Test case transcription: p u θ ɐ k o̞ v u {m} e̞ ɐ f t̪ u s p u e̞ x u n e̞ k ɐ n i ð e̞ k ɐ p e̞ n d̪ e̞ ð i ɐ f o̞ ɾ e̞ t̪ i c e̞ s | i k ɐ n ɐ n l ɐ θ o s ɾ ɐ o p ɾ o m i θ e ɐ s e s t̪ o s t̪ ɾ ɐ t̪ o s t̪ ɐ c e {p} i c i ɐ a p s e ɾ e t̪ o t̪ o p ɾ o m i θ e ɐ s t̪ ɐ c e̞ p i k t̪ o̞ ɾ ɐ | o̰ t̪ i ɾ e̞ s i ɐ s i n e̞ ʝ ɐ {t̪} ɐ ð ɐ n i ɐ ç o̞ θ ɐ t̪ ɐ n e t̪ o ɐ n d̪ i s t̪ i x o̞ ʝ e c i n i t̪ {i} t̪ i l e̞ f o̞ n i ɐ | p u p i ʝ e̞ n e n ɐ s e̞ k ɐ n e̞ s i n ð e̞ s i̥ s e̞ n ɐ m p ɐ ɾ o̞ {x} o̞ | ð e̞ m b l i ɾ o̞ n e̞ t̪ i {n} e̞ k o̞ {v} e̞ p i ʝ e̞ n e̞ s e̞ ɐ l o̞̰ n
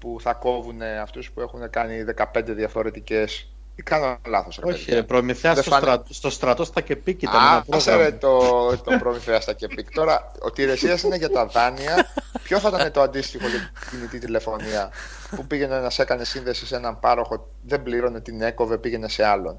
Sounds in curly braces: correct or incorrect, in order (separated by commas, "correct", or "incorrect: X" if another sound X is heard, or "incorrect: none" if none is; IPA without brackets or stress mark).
incorrect: n, correct, correct, correct, correct, correct, correct